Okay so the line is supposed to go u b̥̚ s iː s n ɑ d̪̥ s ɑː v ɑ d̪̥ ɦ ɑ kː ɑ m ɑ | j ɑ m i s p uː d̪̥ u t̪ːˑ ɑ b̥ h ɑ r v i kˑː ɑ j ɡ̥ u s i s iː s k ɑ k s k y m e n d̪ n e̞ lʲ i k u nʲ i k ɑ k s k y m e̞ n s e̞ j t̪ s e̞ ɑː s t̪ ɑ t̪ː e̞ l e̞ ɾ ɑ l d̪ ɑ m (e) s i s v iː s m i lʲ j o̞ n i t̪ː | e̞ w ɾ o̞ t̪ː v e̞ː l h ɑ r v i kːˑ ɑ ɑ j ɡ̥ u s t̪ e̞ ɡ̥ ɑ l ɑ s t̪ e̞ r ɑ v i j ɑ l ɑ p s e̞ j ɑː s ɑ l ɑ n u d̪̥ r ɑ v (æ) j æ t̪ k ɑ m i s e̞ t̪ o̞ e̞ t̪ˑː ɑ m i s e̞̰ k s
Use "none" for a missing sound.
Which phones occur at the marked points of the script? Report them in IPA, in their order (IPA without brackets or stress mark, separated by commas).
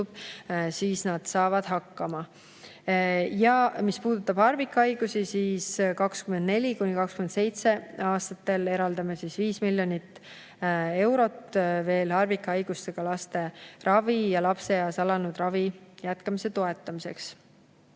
e, i